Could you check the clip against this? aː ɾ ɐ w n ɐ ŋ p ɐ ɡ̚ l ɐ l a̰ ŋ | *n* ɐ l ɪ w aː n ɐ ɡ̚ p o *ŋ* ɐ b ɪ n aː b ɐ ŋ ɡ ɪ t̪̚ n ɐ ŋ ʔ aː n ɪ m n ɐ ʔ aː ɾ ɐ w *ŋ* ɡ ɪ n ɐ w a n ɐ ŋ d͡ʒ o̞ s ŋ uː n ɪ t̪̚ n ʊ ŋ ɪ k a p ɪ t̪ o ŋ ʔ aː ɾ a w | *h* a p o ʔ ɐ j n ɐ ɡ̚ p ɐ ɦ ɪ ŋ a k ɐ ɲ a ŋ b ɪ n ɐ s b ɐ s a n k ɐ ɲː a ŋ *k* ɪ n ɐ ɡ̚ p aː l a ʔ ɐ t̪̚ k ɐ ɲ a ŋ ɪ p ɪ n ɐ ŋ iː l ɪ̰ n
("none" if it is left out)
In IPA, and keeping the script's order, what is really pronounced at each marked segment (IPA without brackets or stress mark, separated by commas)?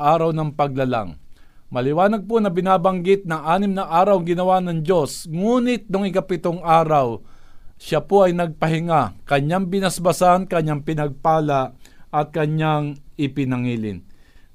m, n, ŋ, ʃ, p